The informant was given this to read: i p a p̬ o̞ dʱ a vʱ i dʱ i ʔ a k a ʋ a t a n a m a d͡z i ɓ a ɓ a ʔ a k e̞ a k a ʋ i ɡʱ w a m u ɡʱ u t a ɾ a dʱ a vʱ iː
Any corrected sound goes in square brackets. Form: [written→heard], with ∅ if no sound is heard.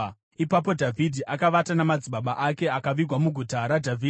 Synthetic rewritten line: i p a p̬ o̞ dʱ a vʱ i dʱ i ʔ a k a ʋ a t a n a m a d͡z i ɓ a ɓ a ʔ a k e̞ a k a ʋ i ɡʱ w a m u ɡʱ u t a ɾ a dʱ a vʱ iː